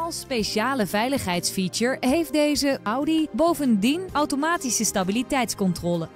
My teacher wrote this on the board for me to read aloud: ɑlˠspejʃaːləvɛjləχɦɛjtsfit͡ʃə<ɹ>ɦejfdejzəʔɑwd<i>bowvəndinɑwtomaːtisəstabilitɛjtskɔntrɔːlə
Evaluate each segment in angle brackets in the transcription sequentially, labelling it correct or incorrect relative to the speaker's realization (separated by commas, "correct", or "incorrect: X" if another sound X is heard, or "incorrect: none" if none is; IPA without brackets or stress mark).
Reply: correct, correct